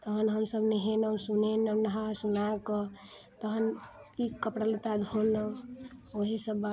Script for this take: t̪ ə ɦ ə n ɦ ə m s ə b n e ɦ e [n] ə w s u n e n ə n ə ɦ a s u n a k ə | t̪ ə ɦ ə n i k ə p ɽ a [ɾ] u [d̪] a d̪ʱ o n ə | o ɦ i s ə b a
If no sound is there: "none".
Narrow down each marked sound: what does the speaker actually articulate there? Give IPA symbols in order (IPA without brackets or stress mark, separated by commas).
n, l, t̪